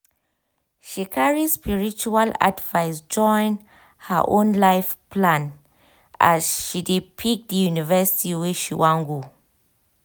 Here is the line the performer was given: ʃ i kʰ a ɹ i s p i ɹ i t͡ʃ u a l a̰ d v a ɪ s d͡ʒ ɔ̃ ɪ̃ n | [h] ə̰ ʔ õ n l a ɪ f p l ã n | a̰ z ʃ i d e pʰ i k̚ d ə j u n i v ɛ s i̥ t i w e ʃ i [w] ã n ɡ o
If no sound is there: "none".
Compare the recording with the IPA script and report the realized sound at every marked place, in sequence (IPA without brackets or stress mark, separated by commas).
h, w